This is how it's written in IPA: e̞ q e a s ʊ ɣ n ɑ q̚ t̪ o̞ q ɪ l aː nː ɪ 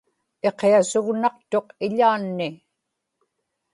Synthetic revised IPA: e̞ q e a s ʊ ɣ n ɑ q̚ t̪ o̞ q ɪ ʎ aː nː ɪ